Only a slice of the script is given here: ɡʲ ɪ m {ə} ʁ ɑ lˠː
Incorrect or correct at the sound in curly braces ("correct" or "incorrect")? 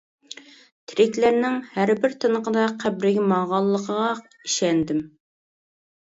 incorrect